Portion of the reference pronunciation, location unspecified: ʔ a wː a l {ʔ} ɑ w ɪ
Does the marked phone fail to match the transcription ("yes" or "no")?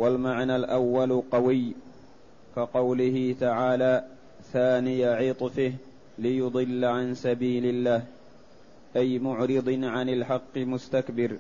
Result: yes